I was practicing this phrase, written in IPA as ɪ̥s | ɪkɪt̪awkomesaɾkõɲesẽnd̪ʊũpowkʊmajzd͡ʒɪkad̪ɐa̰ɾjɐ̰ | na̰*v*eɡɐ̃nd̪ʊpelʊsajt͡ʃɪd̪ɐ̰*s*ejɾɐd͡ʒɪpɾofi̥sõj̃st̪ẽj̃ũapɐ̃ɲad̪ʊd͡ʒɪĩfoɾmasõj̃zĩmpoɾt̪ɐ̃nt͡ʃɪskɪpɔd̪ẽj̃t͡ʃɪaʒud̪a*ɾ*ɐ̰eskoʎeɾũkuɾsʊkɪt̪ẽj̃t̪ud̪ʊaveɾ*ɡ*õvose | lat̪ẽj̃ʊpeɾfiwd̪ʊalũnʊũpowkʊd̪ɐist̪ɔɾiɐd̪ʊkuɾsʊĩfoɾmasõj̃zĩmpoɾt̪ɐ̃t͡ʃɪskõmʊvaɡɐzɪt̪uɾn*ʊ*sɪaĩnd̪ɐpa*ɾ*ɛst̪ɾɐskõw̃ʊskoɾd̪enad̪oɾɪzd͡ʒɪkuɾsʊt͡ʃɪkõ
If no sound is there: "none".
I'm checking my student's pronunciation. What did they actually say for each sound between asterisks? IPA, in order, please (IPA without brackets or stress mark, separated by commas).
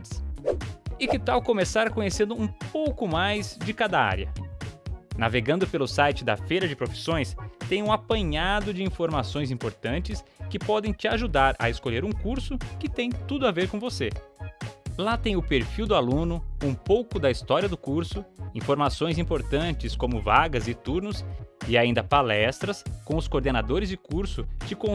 v, f, ɾ, k, ʊ, l